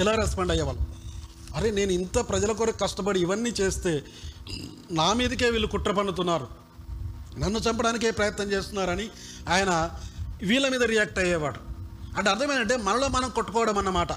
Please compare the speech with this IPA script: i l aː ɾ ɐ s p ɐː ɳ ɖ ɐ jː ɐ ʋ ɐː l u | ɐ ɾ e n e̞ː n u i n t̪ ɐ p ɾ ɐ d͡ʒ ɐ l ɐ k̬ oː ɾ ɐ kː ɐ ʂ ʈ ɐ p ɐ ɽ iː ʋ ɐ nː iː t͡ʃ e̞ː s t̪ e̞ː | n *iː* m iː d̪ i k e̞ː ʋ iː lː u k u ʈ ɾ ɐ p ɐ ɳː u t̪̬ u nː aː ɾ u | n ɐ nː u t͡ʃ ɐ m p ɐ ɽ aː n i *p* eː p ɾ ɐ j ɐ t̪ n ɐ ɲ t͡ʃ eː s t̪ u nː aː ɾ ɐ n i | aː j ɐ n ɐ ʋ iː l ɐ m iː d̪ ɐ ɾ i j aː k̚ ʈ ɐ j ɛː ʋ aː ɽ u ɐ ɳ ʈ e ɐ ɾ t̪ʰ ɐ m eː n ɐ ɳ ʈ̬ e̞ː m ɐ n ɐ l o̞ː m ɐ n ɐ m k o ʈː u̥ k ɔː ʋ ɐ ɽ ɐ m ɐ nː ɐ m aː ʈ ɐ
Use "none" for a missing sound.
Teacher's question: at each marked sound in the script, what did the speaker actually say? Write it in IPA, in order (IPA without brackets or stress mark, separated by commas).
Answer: aː, k